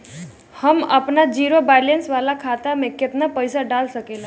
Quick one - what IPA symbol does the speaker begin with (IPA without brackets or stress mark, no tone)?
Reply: h